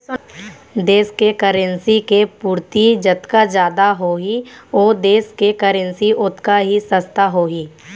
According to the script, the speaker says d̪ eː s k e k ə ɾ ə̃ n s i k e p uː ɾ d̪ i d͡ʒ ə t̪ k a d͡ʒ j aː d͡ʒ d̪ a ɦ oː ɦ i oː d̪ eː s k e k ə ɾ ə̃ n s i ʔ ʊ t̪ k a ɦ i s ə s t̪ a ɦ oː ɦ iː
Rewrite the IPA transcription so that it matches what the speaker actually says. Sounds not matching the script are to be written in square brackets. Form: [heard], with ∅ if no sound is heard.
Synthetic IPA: d̪ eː s k e k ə ɾ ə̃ n s i k e p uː ɾ [t̪] i d͡ʒ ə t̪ k a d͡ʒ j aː [∅] d̪ a ɦ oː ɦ i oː d̪ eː s k e k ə ɾ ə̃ n s i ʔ ʊ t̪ k a ɦ i s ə s t̪ a ɦ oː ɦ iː